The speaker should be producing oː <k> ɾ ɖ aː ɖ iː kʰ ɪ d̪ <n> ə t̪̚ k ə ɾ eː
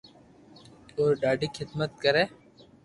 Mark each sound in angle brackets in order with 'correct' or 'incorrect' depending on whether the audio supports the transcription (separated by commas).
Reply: incorrect, incorrect